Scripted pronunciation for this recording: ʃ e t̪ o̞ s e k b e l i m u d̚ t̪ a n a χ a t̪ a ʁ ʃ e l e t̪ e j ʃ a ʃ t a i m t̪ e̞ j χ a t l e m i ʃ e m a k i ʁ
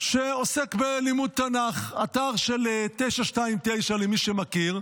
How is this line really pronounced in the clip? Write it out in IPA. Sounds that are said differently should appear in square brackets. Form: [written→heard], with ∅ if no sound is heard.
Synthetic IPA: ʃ e [t̪→∅] o̞ s e k b e l i m u d̚ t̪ a n a χ a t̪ a ʁ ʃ e l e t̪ e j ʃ a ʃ t a i m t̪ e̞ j [χ→ʃ] a [t→∅] l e m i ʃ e m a k i ʁ